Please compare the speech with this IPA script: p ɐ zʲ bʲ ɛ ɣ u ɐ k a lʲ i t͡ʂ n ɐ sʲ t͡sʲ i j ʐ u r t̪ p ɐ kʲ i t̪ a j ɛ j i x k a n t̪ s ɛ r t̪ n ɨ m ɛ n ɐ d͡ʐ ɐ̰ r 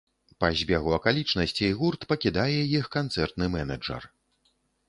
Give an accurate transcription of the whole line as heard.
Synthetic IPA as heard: p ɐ zʲ bʲ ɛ ɣ u ɐ k a lʲ i t͡ʂ n ɐ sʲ t͡sʲ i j ɣ u r t̪ p ɐ kʲ i d̪ a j ɛ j i x k a n t̪ s ɛ r t̪ n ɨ m ɛ n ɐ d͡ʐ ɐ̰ r